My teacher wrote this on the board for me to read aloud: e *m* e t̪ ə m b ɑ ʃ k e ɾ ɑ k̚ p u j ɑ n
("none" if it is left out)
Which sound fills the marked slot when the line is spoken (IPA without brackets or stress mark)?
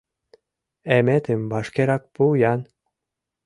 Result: m